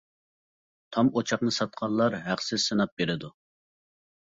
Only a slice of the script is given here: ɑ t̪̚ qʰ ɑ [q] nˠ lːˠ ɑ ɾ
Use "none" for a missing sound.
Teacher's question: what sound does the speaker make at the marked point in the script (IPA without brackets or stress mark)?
none